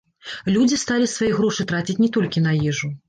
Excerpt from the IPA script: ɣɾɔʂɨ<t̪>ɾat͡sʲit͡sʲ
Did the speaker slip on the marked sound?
no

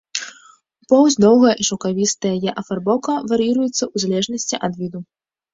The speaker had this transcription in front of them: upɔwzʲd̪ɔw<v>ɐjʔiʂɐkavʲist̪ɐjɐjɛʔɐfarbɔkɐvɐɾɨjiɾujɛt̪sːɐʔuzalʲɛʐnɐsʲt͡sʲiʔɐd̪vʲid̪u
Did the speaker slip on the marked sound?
yes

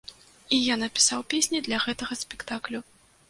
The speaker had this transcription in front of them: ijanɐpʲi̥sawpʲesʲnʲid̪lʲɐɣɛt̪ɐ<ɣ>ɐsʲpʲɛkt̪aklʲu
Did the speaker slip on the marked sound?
no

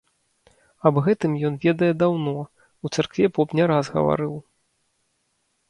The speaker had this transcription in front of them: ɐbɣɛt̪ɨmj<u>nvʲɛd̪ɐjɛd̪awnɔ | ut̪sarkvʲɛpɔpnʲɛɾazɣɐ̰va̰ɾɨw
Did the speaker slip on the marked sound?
yes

